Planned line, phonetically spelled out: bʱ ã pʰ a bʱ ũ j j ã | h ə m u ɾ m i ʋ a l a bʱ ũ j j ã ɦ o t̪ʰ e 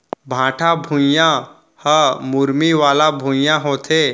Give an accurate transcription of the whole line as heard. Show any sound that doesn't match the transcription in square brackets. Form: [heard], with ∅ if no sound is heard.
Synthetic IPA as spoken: bʱ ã [ʈʰ] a bʱ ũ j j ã | h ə m u ɾ m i ʋ a l a bʱ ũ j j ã ɦ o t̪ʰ e

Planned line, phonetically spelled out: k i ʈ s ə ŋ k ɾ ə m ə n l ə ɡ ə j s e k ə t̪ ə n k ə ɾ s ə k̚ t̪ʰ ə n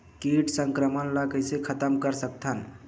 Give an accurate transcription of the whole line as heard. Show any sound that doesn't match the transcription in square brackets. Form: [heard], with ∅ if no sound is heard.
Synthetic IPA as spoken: k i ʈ s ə ŋ k ɾ ə m ə n l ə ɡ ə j s e [kʰ] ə t̪ ə [m] k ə ɾ s ə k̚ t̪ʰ ə n

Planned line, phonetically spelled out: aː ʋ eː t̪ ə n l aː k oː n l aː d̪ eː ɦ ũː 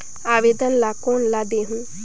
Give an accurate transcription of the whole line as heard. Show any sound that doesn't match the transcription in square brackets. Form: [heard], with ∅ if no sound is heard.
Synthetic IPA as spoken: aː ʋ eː [d̪] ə n l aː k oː n l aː d̪ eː ɦ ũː

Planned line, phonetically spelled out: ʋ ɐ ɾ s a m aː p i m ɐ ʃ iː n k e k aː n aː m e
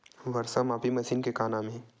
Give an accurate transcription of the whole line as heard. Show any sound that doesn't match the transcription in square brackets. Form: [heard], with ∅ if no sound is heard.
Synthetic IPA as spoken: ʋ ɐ ɾ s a m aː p i m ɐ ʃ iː n k e k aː n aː m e

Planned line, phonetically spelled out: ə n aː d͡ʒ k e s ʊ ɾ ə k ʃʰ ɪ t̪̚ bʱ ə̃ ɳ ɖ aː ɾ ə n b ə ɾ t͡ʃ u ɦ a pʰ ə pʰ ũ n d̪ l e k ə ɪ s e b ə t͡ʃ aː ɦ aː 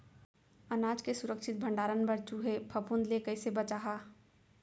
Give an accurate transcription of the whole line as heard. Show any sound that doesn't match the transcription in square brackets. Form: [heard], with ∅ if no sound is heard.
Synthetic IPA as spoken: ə n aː d͡ʒ k e s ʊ ɾ ə k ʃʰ ɪ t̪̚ bʱ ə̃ ɳ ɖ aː ɾ ə n b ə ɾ t͡ʃ u ɦ [e] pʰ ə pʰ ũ n d̪ l e k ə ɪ s e b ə t͡ʃ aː ɦ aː

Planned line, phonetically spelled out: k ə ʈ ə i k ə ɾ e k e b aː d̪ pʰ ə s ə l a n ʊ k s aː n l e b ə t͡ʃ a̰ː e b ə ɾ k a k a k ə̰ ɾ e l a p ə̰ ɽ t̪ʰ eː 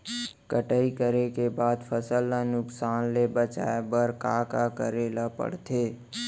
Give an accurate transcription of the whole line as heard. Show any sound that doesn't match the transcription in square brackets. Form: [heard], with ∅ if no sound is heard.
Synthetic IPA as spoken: k ə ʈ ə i k ə ɾ e k e b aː d̪ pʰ ə s ə l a n ʊ k s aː n l e b ə t͡ʃ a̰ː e b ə ɾ k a k a k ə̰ ɾ e l a p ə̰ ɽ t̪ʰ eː

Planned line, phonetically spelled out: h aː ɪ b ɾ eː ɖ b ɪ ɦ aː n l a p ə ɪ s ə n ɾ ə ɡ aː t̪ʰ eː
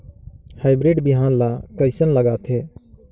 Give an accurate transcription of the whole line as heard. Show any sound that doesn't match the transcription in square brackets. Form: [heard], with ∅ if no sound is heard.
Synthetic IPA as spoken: h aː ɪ b ɾ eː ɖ b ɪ ɦ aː n l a [k] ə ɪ s ə n [l] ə ɡ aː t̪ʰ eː

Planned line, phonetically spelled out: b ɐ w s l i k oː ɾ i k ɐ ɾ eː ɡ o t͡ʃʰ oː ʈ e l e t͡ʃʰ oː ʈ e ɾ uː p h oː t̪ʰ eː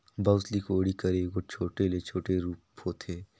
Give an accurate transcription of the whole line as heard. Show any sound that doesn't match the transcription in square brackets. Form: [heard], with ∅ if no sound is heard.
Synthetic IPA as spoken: b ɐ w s l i k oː [ɽ] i k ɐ ɾ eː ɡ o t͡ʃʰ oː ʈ e l e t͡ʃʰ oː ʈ e ɾ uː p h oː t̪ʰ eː

